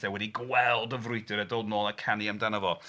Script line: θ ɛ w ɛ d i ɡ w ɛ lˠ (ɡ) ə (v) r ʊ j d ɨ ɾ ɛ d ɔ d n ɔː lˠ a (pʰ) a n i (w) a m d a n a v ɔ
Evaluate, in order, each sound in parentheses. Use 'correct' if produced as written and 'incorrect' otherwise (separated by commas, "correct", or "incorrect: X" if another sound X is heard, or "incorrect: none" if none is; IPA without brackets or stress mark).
incorrect: d, correct, incorrect: kʰ, incorrect: none